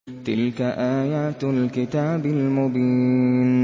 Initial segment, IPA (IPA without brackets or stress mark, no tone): t̪